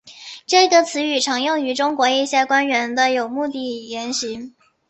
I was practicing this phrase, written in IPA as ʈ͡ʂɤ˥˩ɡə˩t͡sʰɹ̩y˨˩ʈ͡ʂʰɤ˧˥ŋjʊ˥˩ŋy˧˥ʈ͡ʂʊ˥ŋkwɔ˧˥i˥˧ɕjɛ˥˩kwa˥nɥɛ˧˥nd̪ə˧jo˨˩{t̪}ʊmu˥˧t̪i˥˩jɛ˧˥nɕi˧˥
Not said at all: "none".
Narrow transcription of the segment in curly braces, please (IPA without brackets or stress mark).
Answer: none